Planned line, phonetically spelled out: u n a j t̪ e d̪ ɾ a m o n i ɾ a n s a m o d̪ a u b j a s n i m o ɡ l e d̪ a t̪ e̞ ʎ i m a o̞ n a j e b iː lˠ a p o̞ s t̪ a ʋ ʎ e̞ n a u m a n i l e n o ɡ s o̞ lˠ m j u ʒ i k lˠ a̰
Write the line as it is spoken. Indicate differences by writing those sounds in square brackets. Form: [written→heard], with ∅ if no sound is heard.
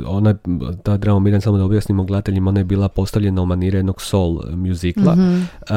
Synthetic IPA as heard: [u→o] n a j t̪ [e→a] d̪ ɾ a m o [n→m] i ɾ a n s a m o d̪ a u b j a s n i m o ɡ l e d̪ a t̪ e̞ ʎ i m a o̞ n a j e b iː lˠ a p o̞ s t̪ a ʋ ʎ e̞ n a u m a n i [l→ɾ] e n o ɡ s o̞ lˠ m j u [ʒ→z] i k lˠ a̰